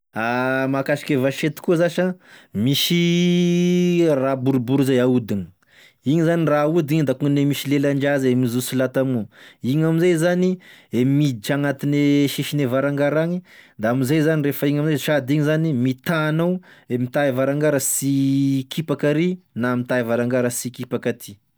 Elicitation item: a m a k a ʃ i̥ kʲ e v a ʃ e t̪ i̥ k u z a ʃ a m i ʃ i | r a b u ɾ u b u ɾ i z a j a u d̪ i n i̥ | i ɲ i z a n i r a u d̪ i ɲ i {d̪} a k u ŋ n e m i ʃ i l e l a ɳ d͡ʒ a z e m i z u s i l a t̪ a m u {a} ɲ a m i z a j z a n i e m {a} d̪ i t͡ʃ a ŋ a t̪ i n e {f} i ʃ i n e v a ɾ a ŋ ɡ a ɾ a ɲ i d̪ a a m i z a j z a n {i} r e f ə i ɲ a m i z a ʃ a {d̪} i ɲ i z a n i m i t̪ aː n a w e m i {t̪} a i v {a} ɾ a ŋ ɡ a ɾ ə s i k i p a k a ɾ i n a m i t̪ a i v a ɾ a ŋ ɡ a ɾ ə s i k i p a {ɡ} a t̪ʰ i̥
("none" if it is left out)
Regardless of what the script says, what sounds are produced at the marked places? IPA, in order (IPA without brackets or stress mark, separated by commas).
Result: d̪, i, i, ʃ, i, d̪, t̪, a, k